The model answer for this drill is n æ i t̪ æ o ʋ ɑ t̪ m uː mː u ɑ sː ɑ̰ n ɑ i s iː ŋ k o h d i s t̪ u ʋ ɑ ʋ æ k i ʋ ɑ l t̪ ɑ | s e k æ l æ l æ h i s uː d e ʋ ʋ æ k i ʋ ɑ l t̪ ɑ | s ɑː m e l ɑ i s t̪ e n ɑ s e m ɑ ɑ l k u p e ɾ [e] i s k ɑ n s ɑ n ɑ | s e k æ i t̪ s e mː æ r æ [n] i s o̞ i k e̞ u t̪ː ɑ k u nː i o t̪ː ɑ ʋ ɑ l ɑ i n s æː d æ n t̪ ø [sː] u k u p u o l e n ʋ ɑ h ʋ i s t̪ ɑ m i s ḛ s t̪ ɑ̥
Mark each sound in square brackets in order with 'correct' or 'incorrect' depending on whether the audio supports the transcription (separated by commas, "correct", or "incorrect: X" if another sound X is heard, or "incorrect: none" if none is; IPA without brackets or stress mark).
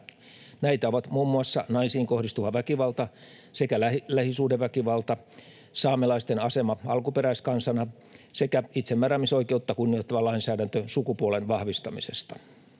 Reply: incorrect: æ, incorrect: m, incorrect: s